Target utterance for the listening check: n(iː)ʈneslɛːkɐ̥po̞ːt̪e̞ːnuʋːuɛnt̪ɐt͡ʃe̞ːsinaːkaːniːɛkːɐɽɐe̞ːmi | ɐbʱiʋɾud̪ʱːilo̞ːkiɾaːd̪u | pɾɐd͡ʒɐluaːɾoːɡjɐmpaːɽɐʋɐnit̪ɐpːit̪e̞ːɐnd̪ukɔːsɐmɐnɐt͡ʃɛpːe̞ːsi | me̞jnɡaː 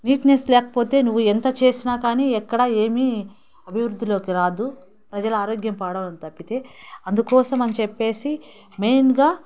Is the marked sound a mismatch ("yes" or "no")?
no